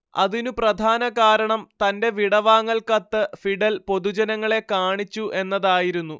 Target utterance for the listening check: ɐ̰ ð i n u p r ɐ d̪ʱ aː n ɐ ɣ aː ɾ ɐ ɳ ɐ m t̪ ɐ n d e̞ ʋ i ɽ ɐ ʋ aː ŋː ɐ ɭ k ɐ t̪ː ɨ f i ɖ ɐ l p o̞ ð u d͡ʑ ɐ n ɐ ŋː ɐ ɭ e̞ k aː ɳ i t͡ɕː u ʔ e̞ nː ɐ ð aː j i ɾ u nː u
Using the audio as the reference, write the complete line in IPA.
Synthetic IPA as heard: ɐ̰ ð i n u p r ɐ d̪ʱ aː n ɐ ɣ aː ɾ ɐ ɳ ɐ m t̪ ɐ n d e̞ ʋ i ɽ ɐ ʋ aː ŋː ɐ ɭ k ɐ t̪ː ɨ f i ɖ ɐ l p o̞ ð u d͡ʑ ɐ n ɐ ŋː ɐ ɭ e̞ k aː ɳ i t͡ɕː u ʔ e̞ nː ɐ ð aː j i ɾ u nː u